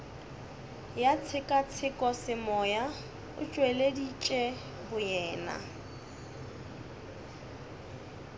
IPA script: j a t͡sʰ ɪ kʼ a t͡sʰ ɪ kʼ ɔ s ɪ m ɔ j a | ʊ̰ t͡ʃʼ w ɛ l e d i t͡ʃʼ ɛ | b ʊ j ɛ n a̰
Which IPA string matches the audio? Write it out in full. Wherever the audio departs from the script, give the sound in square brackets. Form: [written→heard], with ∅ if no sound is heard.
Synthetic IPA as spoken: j a t͡sʰ ɪ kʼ a t͡sʰ ɪ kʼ ɔ s ɪ m ɔ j a | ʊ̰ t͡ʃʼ w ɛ l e d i t͡ʃʼ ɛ | b ʊ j [ɛ→ɛː] n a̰